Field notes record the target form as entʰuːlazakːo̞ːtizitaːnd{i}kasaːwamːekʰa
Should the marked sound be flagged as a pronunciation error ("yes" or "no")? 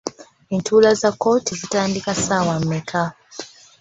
no